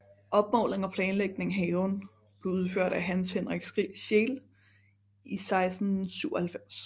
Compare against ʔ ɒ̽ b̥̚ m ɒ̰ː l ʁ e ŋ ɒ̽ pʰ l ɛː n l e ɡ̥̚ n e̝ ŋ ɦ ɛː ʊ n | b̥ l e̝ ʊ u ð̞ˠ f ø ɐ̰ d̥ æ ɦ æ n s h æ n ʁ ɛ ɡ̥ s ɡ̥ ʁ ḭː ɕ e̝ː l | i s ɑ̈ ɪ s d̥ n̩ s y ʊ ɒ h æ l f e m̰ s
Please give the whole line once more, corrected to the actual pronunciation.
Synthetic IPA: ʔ ɒ̽ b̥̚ m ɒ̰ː l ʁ e ŋ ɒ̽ pʰ l ɛː n l e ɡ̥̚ n e̝ ŋ ɦ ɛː ʊ n | b̥ l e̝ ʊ u ð̞ˠ f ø ɐ̰ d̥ æ ɦ æ n s h e n ʁ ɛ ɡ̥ s ɡ̥ ʁ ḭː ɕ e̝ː l | i s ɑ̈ ɪ s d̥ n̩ s y ʊ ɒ h æ l f e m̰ s

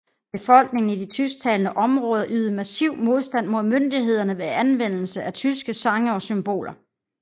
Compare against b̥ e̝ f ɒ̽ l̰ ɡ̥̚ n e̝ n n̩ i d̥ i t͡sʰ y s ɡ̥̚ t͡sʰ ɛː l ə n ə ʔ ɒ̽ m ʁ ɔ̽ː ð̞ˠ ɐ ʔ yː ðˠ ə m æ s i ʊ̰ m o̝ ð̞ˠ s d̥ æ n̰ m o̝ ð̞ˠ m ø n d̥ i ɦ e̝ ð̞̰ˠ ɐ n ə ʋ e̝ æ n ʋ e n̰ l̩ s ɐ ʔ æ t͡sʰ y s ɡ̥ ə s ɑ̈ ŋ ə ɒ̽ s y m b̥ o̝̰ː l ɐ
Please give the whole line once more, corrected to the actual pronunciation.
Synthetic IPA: b̥ e̝ f ɒ̽ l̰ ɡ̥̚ n e̝ ŋ n̩ i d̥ i t͡sʰ y s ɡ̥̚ t͡sʰ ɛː l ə n ə ʔ ɒ̽ m ʁ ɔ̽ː ð̞ˠ ɐ ʔ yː ðˠ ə m æ s i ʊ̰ m o̝ ð̞ˠ s d̥ æ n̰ m o̝ ð̞ˠ m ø n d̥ i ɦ e̝ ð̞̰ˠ ɐ n ə ʋ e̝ æ n ʋ e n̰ l̩ s ə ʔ æ t͡sʰ y s ɡ̥ ə s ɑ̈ ŋ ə ɒ̽ s y m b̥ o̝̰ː l ɐ

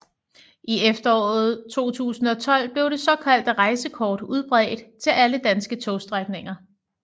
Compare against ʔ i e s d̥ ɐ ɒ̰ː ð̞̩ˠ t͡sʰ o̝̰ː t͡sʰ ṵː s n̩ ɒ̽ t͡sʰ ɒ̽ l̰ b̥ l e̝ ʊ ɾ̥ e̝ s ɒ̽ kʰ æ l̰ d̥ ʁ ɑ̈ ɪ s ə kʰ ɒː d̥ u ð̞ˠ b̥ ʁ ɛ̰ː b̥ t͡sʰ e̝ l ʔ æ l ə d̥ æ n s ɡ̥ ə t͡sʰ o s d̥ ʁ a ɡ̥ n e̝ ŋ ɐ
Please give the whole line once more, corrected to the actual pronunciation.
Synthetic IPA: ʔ i e f d̥ ɐ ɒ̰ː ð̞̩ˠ t͡sʰ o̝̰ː t͡sʰ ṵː s n̩ ɒ̽ t͡sʰ ɒ̽ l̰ b̥ l e̝ ʊ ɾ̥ e̝ s ɒ̽ kʰ æ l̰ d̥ ʁ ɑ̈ ɪ s ə kʰ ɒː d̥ u ð̞ˠ b̥ ʁ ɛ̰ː d̥ t͡sʰ e̝ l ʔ æ l ə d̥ æ n s ɡ̥ ə t͡sʰ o s d̥ ʁ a ɡ̥ n e̝ ŋ ɐ

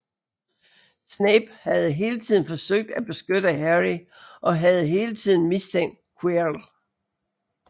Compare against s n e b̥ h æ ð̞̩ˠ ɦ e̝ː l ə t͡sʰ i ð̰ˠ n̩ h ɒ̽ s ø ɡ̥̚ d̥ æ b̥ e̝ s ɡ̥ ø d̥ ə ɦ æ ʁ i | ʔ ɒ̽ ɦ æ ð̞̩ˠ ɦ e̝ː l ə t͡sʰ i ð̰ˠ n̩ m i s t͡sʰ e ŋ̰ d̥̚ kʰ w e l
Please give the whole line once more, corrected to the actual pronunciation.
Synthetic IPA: s n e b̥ h æ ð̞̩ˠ ɦ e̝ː l ə t͡sʰ i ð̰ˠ n̩ f ɒ̽ s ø ɡ̥̚ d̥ æ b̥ e̝ s ɡ̥ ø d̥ ə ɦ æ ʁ i | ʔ ɒ̽ ɦ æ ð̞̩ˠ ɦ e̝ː l ə t͡sʰ i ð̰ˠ n̩ m i s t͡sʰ e ŋ̰ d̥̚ kʰ w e l

